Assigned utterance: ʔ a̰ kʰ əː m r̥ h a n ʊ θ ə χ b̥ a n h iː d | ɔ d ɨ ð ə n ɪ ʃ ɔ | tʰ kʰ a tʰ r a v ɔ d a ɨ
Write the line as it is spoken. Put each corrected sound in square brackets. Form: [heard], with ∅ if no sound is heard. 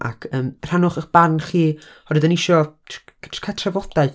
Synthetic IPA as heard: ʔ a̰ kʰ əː m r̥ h a n ʊ [χ] ə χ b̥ a n [χ] iː [∅] | ɔ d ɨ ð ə n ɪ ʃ ɔ | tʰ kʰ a tʰ r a v ɔ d a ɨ